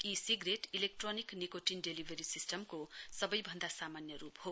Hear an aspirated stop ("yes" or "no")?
no